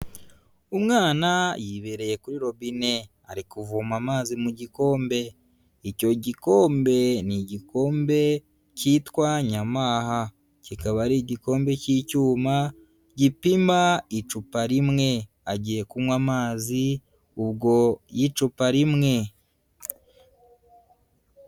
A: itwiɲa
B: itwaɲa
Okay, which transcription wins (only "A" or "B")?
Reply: B